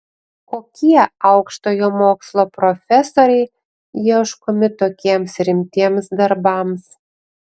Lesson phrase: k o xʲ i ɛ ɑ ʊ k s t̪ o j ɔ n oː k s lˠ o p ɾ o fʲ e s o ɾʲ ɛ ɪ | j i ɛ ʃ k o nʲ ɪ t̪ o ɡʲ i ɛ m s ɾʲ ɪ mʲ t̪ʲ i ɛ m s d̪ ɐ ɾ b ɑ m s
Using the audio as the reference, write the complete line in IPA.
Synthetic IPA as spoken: k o kʲ i ɛ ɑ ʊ k ʃ t̪ o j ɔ m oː k s lˠ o p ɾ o fʲ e s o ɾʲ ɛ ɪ | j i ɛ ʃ k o mʲ ɪ t̪ o kʲ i ɛ m s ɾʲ ɪ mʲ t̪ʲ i ɛ m s d̪ ɐ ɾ b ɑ m s